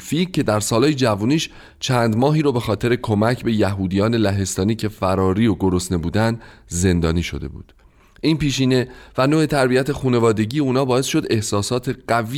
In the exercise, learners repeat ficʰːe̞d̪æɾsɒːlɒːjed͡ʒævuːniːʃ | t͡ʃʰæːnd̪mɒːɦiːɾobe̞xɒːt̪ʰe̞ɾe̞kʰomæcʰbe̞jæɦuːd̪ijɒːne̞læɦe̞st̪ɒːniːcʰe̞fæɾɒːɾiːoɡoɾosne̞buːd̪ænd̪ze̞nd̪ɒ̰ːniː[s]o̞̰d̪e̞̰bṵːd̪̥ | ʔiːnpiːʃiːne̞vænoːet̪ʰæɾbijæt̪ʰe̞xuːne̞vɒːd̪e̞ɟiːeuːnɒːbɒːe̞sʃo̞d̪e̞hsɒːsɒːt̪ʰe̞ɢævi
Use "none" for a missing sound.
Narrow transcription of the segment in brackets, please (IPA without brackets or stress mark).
ʃ